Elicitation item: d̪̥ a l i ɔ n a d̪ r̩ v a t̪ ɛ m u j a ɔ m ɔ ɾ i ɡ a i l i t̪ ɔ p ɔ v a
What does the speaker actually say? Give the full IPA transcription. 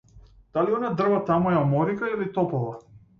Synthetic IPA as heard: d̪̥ a l i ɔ n a d̪ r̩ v a t̪ a m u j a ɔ m ɔ ɾ i k a i l i t̪ ɔ p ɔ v a